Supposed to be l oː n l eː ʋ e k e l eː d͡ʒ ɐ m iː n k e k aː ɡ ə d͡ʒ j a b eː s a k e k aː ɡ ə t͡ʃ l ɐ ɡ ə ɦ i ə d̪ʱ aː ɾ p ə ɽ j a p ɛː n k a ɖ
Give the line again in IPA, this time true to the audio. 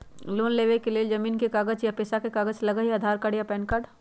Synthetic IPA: l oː n l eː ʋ e k e l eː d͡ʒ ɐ m iː n k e k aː ɡ ə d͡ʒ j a p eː s a k e k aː ɡ ə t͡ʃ l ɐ ɡ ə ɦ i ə d̪ʱ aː ɾ k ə ɽ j a p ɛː n k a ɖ